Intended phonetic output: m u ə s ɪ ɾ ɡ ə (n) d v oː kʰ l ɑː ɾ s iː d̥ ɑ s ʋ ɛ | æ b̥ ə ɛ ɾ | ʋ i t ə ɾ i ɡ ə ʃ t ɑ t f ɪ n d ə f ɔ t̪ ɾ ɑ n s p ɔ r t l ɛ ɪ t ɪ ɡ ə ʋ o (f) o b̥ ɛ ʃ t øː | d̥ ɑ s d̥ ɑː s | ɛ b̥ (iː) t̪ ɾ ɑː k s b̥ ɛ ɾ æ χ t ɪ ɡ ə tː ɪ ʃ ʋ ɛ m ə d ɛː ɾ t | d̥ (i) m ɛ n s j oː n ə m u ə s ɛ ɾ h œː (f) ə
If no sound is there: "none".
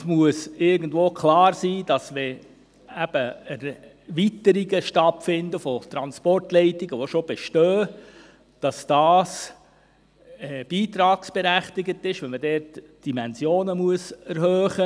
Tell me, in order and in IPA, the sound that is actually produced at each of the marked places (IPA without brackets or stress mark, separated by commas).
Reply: n, ʃ, iː, i, χ